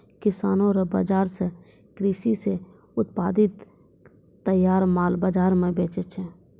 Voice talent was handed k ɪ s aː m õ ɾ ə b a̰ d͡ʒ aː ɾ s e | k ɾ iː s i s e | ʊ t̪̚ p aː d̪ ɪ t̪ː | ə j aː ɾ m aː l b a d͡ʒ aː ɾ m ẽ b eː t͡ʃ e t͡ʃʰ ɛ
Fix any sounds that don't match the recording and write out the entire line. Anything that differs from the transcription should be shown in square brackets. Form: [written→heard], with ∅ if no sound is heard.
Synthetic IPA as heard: k ɪ s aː [m→n] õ ɾ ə b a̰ d͡ʒ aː ɾ s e | k ɾ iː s i s e | ʊ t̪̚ p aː d̪ ɪ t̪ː | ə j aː ɾ m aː l b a d͡ʒ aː ɾ m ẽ b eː t͡ʃ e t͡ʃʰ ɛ